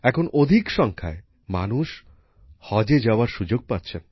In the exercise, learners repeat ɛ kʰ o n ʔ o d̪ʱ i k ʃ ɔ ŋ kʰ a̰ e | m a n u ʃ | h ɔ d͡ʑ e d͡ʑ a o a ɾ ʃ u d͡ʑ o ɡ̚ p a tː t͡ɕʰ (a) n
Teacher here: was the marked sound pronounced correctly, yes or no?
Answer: no